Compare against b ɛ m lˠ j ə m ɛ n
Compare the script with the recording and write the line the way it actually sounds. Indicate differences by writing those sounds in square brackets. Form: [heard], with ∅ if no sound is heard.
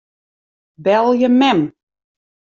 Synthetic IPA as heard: b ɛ [∅] lˠ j ə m ɛ [m]